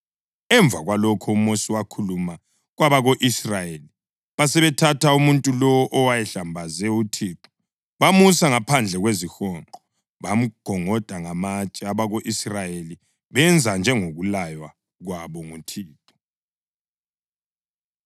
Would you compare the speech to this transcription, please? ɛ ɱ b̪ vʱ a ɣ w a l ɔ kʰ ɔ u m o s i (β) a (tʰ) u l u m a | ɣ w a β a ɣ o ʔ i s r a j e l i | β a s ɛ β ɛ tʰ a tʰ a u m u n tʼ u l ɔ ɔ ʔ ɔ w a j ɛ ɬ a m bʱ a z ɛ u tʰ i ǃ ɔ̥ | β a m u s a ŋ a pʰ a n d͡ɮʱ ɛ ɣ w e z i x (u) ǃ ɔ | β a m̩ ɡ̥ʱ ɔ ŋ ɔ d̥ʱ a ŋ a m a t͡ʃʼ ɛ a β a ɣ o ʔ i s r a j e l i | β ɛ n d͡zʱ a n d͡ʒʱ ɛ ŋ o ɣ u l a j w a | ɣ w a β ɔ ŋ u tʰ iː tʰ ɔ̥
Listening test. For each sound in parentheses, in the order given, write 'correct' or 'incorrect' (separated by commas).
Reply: incorrect, incorrect, incorrect